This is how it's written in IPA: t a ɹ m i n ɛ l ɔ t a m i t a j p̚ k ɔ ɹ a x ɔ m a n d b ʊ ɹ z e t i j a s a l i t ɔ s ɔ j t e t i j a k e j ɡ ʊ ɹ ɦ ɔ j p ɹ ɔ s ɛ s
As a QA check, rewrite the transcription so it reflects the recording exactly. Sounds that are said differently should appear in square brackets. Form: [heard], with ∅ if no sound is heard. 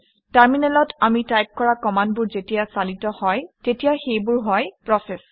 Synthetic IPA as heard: t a ɹ m i n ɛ l ɔ t a m i t a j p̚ k ɔ ɹ a [k] ɔ m a n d b ʊ ɹ z e t i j a s a l i t ɔ [h] ɔ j t e t i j a [x] e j [b] ʊ ɹ ɦ ɔ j p ɹ ɔ s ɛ s